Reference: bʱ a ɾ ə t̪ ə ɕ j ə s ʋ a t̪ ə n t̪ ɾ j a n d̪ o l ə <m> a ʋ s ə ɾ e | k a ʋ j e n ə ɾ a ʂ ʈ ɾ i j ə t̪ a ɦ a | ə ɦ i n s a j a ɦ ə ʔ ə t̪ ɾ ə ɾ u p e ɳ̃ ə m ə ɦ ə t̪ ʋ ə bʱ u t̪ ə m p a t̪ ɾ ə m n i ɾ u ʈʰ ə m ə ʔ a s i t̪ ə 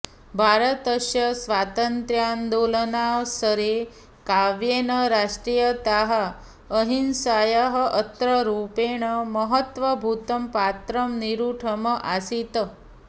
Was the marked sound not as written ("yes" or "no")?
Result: yes